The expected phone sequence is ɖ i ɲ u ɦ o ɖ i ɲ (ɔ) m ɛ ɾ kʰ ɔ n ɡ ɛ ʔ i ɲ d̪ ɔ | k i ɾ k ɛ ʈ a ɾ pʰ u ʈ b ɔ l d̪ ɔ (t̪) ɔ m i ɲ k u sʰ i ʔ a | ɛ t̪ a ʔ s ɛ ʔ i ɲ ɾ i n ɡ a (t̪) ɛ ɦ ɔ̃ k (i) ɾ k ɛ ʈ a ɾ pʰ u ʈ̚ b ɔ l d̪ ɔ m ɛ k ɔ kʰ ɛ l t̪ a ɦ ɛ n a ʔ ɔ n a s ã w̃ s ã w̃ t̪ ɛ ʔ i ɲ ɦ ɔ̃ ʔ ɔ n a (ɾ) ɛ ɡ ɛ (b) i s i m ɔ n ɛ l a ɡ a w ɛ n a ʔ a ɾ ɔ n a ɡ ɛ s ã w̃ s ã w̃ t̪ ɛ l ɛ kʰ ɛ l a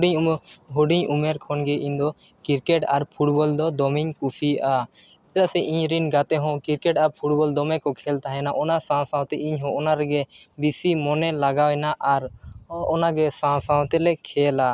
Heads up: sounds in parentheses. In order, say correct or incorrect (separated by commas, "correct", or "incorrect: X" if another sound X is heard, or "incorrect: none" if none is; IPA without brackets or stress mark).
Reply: incorrect: u, incorrect: d̪, correct, correct, correct, correct